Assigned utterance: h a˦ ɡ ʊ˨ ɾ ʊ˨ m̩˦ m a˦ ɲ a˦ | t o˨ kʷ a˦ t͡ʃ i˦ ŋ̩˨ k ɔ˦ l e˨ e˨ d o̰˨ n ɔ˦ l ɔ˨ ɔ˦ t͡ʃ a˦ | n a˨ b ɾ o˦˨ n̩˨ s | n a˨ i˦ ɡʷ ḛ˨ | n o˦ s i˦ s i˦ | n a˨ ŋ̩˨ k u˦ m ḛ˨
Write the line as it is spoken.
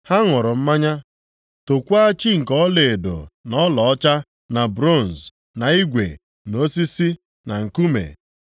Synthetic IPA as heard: h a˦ ŋ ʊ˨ ɾ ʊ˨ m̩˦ m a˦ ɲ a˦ | t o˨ kʷ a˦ t͡ʃ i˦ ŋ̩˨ k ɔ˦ l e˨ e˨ d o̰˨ n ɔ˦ l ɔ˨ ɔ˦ t͡ʃ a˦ | n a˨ b ɾ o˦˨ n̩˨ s | n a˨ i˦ ɡʷ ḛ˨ | n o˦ s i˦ s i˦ | n a˨ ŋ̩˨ k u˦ m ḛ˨